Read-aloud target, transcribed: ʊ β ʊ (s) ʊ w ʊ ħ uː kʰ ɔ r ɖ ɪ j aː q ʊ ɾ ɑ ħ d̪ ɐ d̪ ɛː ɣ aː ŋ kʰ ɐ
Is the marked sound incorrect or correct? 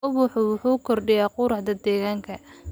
incorrect